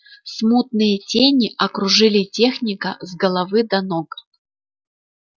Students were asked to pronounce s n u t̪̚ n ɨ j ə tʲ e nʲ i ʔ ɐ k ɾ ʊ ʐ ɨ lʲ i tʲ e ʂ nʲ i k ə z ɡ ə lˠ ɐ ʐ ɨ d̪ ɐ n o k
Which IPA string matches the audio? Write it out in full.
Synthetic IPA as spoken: s m u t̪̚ n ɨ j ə tʲ e nʲ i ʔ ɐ k ɾ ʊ ʐ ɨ lʲ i tʲ e x nʲ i k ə z ɡ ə lˠ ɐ v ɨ d̪ ɐ n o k